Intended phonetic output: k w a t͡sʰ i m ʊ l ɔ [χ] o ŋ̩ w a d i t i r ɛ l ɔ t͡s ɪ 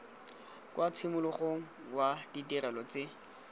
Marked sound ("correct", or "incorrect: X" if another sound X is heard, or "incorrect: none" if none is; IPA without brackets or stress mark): correct